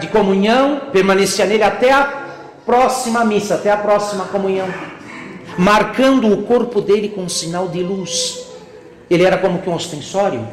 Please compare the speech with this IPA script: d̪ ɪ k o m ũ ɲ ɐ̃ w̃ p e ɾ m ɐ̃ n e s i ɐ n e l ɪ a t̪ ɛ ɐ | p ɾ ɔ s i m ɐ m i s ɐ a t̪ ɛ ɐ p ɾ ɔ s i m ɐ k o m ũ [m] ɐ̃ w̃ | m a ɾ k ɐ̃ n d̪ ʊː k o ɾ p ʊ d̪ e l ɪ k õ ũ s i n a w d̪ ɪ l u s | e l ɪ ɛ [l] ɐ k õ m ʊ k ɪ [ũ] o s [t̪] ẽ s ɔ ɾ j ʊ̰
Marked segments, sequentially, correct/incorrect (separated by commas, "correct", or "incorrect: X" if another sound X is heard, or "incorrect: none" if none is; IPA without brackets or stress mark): incorrect: ɲ, incorrect: ɾ, correct, correct